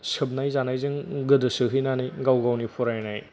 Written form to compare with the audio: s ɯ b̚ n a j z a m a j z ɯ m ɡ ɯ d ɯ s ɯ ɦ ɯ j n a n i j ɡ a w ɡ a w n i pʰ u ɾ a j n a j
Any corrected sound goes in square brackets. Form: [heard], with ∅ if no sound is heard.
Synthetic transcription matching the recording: s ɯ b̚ n a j z a [n] a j z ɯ [ŋ] ɡ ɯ d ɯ s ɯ ɦ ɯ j n a n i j ɡ a w ɡ a w n i pʰ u ɾ a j n a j